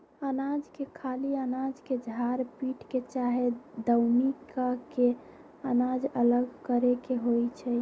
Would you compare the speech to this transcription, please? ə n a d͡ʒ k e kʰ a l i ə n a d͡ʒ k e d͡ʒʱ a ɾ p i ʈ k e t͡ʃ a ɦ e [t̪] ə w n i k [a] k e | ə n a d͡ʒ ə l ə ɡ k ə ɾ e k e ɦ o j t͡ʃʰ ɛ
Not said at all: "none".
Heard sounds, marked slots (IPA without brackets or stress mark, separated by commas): d̪, a